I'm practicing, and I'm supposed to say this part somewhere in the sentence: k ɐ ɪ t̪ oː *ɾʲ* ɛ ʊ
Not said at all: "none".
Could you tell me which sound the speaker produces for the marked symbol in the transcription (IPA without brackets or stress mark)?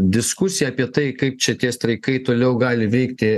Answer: lʲ